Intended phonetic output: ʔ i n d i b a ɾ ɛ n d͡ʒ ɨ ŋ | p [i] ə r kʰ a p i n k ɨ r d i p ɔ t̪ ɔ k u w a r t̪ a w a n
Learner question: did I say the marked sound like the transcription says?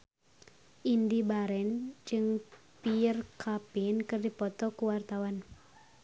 yes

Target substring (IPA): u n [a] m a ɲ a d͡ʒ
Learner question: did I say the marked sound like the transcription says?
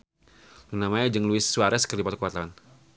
yes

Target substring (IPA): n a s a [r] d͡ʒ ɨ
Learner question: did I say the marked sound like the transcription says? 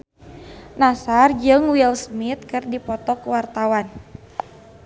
yes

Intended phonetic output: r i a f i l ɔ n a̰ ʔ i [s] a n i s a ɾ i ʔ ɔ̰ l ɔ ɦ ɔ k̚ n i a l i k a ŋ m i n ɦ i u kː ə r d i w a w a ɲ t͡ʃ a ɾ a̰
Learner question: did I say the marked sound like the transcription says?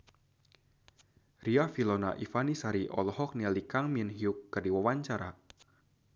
no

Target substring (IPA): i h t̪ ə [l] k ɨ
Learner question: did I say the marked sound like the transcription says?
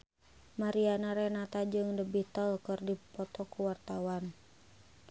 yes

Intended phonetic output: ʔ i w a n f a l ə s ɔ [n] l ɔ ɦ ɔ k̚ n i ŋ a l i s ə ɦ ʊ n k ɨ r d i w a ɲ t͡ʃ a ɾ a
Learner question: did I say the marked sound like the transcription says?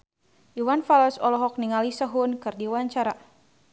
no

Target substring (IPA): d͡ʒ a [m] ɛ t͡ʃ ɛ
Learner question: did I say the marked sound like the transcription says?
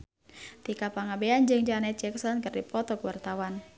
no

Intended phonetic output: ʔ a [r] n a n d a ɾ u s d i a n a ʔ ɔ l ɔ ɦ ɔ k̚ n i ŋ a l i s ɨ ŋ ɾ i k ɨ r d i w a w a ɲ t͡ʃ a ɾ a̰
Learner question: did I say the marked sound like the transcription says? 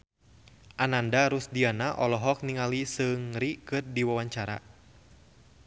no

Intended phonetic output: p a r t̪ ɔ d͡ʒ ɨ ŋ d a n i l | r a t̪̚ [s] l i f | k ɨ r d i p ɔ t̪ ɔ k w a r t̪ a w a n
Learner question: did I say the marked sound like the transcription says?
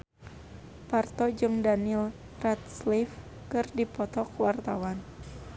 yes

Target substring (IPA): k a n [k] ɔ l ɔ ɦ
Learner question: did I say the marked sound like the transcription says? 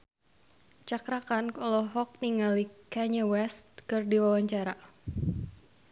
yes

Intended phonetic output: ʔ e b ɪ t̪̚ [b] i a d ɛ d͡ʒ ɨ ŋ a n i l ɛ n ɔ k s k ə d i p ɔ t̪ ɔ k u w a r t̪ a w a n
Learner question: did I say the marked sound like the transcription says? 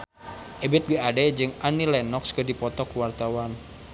yes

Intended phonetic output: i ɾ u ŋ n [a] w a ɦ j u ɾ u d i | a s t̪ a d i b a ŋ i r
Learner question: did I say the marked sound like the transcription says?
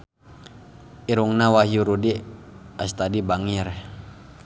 yes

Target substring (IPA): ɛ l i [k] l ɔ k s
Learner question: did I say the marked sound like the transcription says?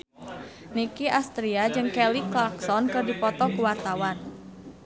yes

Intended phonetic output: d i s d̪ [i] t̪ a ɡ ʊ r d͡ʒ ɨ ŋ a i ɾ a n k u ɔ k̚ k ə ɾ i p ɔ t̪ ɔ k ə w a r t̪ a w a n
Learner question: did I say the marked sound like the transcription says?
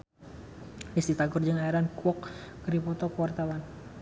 yes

